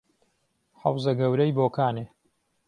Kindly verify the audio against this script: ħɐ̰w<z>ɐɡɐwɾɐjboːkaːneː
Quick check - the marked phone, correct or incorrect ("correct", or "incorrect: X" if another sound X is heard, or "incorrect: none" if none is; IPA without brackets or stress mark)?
correct